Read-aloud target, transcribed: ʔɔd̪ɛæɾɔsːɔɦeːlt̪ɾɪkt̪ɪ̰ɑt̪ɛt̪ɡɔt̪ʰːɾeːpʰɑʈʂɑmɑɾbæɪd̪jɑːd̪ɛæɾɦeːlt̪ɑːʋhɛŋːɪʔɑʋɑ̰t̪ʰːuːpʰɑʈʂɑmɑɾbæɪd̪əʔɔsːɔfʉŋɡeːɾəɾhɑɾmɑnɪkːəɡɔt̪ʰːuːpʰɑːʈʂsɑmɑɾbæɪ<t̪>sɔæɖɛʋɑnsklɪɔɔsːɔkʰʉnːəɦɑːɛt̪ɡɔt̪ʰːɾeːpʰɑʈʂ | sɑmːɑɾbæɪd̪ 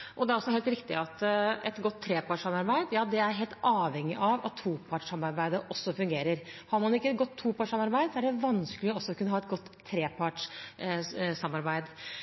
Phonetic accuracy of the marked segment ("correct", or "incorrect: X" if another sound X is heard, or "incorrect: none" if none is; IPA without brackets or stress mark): incorrect: d̪